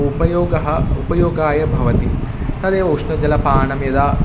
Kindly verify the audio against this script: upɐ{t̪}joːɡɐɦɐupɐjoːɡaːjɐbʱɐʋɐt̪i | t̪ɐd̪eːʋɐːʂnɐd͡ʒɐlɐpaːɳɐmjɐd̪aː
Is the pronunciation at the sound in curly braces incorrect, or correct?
incorrect